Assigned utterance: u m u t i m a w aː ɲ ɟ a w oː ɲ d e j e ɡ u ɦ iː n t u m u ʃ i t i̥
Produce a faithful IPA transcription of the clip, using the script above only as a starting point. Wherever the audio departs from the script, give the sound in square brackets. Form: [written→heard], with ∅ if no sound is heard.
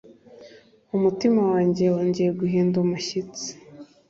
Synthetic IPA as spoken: u m u t i m a w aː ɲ ɟ [a→e] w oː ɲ [d→ɟ] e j e ɡ u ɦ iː n [t→d] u m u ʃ i [t→t͡s] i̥